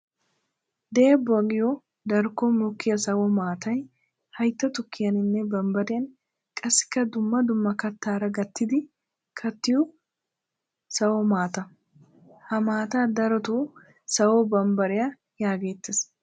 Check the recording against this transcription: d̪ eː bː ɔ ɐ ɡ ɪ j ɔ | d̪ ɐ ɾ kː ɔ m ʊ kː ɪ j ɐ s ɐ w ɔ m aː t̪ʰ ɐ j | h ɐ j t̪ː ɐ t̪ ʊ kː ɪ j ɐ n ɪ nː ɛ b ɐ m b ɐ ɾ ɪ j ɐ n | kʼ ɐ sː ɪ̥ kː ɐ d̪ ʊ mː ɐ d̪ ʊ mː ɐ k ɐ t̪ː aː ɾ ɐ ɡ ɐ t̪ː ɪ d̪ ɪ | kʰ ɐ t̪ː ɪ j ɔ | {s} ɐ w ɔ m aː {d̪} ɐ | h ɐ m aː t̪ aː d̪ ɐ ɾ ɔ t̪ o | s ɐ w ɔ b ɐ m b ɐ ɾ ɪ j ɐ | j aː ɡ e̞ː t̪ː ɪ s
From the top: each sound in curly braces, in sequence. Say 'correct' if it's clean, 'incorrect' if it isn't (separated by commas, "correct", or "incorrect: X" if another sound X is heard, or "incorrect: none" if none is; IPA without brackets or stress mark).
correct, incorrect: t̪